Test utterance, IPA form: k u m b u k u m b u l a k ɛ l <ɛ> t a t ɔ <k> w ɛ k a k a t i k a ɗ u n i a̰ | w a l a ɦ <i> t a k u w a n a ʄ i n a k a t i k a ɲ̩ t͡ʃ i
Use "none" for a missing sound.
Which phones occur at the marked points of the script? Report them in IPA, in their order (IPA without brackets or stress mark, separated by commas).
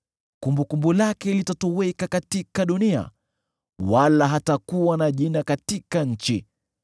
i, none, a